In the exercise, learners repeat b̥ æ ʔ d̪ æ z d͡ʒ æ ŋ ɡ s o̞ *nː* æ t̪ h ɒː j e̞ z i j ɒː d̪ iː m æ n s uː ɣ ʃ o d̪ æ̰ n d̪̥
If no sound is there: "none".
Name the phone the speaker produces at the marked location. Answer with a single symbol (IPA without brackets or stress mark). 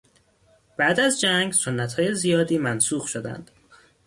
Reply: nː